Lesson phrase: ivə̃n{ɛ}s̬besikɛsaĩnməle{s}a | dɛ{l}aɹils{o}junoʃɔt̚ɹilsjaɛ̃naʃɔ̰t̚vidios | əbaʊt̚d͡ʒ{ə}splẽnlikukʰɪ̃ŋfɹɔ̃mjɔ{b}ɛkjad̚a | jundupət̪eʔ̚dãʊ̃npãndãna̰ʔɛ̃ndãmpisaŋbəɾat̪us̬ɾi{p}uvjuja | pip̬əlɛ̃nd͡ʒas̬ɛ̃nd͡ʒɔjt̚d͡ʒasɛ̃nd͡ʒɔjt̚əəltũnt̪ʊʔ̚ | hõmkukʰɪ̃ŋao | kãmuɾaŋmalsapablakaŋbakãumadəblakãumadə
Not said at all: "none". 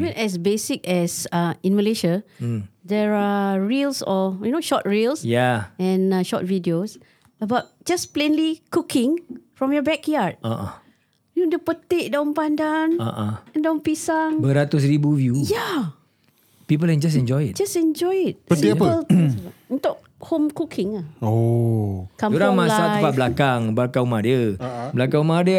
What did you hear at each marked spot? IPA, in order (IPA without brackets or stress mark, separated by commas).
ɛ, ʃ, ɹ, ɔ, a, b, b